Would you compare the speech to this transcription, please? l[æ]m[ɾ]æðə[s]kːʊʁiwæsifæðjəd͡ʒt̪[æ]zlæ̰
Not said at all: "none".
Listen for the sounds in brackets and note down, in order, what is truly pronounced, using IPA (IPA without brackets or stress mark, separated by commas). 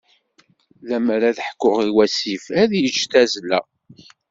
æ, ɾ, ħ, æ